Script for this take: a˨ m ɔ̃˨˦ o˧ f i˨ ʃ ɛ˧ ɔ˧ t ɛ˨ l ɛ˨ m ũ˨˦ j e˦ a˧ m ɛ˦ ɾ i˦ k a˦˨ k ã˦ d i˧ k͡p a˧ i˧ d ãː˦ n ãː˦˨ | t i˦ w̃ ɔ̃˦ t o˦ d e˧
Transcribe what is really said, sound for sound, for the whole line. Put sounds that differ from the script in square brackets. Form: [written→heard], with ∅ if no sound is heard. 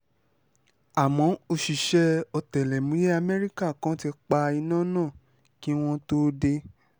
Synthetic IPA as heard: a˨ m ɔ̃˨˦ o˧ [f→ʃ] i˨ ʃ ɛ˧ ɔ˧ t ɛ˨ l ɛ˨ m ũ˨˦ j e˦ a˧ m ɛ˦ ɾ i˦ k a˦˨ k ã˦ [d→t] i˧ k͡p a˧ i˧ [d→n] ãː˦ n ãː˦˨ | [t→k] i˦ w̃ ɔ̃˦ t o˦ d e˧